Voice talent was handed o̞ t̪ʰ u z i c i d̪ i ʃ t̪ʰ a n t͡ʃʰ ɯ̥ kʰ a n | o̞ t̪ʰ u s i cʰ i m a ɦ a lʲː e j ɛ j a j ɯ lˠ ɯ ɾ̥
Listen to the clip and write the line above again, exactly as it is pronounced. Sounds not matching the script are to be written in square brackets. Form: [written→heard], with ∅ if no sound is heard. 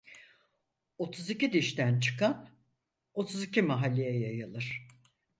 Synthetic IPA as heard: o̞ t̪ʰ u z i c i d̪ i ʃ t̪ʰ [a→æ] n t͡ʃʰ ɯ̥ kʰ a n | o̞ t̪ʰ u [s→z] i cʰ i m a ɦ a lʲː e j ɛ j a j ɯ lˠ ɯ ɾ̥